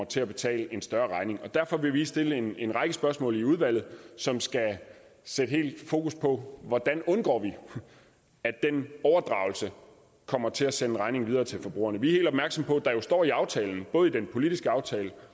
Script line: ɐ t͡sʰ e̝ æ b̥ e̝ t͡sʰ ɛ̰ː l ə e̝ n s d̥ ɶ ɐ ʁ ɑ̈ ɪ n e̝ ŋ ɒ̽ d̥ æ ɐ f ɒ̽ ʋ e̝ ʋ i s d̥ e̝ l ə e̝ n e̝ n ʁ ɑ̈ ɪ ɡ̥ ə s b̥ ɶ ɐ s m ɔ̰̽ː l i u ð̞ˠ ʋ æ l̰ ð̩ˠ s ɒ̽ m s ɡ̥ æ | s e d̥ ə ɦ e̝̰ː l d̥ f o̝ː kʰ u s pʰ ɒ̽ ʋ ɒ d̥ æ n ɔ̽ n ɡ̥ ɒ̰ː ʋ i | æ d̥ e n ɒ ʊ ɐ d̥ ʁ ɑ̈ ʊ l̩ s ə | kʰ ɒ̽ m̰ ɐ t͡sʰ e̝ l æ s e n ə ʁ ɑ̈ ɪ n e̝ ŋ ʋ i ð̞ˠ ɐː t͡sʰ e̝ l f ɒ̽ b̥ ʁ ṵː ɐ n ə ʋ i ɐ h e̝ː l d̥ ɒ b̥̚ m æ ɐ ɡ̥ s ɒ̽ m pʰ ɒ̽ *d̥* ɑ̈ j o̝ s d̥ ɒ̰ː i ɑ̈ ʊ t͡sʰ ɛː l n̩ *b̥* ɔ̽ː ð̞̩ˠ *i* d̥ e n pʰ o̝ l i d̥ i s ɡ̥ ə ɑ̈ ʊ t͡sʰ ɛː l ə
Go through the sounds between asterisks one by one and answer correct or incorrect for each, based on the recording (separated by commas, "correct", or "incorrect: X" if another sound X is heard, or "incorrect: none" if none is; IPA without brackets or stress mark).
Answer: correct, correct, correct